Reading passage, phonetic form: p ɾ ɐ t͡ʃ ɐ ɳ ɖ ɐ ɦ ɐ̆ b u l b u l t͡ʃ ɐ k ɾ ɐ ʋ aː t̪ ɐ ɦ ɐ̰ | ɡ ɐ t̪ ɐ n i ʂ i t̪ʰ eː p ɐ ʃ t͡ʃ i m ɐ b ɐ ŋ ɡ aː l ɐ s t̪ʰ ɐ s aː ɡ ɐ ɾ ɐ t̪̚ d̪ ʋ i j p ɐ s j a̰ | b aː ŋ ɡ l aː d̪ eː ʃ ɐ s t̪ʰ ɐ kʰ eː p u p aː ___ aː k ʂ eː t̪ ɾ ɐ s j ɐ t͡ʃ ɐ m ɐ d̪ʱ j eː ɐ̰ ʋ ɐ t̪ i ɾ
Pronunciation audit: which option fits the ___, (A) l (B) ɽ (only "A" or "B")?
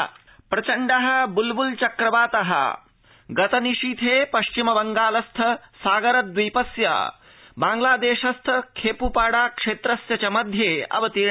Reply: B